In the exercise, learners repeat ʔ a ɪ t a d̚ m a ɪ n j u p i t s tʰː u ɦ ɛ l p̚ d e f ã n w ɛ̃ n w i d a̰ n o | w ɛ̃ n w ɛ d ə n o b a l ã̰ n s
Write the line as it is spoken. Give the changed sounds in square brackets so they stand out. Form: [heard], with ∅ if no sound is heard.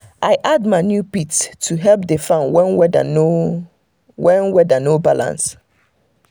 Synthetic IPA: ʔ a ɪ [ʔ] a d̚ m a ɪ n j u p i t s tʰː u ɦ ɛ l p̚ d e f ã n w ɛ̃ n w [ɛ] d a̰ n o | w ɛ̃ n w ɛ d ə n o b a l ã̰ n s

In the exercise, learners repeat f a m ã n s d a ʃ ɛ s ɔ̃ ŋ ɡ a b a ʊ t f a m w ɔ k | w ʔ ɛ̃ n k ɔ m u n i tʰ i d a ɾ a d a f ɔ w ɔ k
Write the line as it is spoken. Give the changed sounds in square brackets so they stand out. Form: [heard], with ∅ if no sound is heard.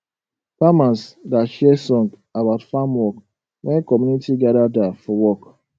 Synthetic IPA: f a m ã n s d a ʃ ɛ s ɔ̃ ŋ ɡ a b a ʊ t f a m w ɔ k | w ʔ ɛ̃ n k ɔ m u n i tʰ i [ɡ] a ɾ a d a f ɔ w ɔ k

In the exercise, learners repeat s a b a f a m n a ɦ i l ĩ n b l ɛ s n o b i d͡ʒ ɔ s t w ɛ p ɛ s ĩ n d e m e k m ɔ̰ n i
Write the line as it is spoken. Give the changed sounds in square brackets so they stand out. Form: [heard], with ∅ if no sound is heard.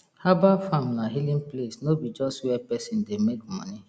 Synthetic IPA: [h] a b a f a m n a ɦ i l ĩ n [p] l [e] s n o b i d͡ʒ ɔ s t w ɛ p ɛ s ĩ n d e m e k m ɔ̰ n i

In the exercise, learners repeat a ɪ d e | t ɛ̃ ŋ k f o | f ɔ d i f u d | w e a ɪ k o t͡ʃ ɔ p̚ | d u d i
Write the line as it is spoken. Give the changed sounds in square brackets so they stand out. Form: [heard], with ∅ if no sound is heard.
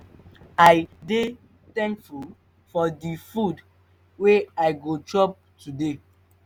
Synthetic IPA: a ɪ d e | t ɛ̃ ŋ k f [u] | f ɔ d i f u d | w e a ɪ [ɡ] o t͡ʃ ɔ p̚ | [t] u d [e]

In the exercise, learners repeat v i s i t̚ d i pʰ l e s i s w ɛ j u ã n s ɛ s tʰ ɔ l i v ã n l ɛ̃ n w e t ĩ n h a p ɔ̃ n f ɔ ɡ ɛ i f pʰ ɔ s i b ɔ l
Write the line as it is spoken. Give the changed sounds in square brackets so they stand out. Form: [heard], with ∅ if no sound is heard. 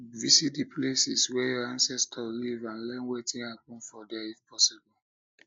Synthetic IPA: v i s i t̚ d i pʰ l e s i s w ɛ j [ɔ] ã n s ɛ s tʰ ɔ l i v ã n l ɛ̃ n w e t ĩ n h a p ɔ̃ n f ɔ [d] ɛ i f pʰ ɔ s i b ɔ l

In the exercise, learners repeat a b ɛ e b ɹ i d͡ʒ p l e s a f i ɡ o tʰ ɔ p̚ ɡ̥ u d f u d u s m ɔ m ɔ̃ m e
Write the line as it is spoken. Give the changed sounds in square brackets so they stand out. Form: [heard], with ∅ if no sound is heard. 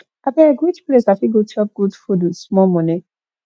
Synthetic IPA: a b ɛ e [ɡ] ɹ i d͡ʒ p l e s a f i ɡ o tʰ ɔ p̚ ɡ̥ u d f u d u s m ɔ m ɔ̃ [n] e

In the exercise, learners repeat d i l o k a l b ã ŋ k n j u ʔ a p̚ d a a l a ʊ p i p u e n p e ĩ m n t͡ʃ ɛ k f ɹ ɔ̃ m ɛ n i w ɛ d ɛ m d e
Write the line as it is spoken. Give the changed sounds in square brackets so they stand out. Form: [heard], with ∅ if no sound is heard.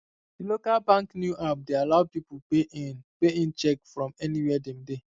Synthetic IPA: d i l o k a l b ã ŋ k n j u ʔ a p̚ d [e] a l a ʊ p i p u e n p e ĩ [∅] n t͡ʃ ɛ k f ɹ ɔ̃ m ɛ n i w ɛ d ɛ m d e

